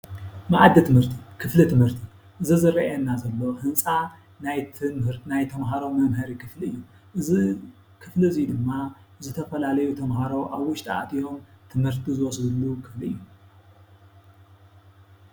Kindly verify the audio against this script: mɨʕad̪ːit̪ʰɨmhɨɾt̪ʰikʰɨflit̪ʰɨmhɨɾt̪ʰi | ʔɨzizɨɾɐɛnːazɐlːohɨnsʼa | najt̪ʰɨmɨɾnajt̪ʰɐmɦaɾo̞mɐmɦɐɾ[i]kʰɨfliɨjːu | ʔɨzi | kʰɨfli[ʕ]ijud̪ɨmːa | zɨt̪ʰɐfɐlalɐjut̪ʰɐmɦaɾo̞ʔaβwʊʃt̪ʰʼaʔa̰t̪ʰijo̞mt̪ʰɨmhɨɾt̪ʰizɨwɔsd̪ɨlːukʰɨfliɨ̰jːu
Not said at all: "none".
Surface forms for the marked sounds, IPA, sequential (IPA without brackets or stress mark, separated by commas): i, z